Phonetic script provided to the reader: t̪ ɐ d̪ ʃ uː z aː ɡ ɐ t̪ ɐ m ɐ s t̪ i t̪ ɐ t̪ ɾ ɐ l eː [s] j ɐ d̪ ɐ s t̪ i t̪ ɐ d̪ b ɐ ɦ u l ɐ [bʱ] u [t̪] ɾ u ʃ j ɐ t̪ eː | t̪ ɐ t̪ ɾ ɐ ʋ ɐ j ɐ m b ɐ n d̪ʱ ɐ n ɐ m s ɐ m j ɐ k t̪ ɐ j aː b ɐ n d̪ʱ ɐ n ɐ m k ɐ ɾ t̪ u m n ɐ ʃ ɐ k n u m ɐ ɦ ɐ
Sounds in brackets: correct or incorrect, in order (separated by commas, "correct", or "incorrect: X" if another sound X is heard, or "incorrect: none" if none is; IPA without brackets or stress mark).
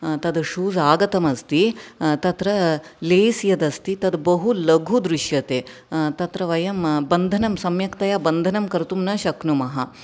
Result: correct, incorrect: ɡʱ, incorrect: d̪